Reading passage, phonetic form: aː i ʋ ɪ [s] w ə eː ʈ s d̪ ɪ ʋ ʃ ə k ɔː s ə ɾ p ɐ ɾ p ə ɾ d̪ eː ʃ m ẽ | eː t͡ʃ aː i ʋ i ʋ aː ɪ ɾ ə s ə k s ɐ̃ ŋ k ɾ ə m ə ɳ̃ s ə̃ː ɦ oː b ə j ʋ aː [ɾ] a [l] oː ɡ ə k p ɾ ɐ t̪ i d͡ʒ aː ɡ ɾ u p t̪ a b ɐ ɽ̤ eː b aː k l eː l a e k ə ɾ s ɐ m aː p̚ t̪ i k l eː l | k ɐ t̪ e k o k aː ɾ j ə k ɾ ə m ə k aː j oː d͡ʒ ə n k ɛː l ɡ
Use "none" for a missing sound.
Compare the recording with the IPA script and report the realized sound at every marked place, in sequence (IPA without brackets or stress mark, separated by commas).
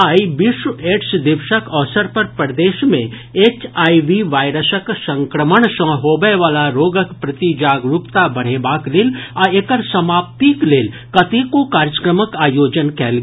ʃ, l, ɾ